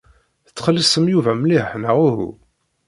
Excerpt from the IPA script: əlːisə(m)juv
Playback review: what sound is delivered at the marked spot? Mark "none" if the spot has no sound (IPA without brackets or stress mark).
m